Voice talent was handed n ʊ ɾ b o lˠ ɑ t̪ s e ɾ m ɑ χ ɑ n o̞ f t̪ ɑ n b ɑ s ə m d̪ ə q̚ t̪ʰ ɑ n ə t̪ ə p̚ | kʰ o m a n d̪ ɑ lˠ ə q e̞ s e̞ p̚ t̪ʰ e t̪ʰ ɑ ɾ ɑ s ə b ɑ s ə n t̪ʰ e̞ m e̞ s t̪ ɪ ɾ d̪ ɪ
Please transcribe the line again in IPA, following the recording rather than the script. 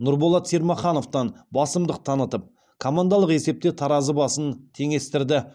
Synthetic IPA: n ʊ ɾ b o lˠ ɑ t̪ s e ɾ m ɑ χ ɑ n o̞ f t̪ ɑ n b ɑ s ə m d̪ ə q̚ t̪ʰ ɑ n ə t̪ ə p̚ | kʰ o m a n d̪ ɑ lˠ ə q e̞ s e̞ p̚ t̪ e t̪ʰ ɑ ɾ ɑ z ə b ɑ s ə n t̪ʰ e̞ ŋ e̞ s t̪ ɪ ɾ d̪ ɪ